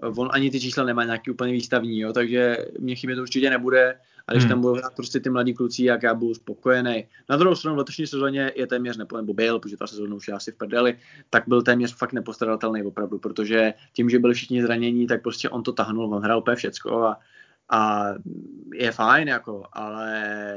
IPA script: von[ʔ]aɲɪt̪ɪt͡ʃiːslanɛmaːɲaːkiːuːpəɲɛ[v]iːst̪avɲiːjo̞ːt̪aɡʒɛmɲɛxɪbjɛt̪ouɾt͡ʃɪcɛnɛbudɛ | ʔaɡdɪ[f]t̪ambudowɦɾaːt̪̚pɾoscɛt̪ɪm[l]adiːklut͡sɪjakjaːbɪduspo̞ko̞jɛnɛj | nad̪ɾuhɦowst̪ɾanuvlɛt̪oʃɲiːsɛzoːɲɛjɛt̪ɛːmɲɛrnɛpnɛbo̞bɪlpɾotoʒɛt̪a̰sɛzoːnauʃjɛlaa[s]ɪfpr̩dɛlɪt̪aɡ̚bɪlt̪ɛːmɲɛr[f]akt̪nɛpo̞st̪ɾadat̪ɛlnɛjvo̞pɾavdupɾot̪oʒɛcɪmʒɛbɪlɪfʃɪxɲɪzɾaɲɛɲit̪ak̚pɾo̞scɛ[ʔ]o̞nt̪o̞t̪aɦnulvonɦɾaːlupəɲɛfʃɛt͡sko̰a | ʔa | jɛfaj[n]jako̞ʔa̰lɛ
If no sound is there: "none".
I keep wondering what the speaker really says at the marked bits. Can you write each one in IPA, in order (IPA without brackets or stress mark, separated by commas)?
ʔ, v, ʃ, l, s, f, ʔ, n